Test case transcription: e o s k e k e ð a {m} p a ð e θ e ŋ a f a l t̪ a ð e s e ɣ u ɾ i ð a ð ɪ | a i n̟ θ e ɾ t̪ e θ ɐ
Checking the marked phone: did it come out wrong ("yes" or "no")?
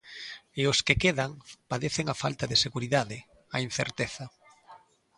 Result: yes